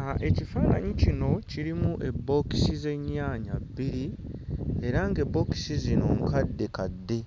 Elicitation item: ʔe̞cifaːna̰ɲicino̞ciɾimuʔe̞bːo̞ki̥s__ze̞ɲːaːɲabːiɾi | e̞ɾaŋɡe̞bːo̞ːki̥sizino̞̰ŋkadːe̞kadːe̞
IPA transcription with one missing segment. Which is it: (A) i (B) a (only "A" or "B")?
A